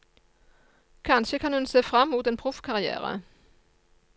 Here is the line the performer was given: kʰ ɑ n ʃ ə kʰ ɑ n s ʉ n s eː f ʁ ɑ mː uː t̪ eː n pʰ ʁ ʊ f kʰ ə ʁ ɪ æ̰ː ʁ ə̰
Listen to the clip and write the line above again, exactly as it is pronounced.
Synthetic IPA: kʰ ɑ n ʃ ə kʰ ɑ n h ʉ n s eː f ʁ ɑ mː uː t̪ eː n pʰ ʁ ʊ f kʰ ɑ ʁ ɪ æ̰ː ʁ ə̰